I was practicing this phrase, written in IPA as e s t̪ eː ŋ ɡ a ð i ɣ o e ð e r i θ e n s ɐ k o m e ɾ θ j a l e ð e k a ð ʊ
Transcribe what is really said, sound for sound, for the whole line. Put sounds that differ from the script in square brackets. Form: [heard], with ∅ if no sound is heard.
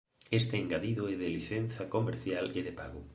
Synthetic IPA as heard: e s t̪ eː ŋ ɡ a ð i [ð] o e ð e [l] i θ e n [θ] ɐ k o m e ɾ θ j a l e ð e [p] a [ɣ] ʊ